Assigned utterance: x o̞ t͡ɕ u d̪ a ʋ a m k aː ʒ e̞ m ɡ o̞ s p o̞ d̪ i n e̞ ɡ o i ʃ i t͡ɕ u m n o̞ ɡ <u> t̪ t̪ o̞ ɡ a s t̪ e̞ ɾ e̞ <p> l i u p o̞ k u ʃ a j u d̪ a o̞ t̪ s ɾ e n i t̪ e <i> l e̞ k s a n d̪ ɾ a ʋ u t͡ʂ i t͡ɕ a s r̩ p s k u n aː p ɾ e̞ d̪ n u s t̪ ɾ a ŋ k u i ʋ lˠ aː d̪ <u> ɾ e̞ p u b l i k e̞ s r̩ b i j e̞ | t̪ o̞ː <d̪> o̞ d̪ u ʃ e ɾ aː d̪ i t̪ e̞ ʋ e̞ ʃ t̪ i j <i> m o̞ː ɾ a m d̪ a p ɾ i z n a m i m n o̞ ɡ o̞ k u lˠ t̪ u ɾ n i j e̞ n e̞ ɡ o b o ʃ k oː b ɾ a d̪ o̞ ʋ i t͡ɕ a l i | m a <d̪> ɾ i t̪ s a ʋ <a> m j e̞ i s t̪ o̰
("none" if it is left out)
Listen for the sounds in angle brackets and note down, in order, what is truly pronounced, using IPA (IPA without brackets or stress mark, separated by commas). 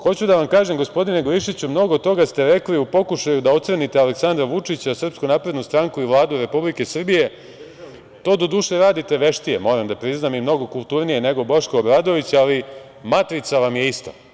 o, k, a, u, d̪, e, t̪, a